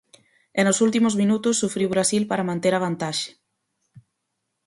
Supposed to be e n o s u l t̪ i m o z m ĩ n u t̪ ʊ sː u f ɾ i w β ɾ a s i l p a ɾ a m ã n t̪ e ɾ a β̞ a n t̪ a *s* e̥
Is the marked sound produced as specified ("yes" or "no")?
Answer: no